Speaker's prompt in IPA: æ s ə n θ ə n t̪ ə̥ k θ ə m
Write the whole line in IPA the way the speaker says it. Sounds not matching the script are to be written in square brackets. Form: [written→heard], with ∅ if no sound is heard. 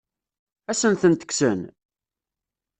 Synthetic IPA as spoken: æ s ə n θ ə n t̪ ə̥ k [θ→s] ə [m→n]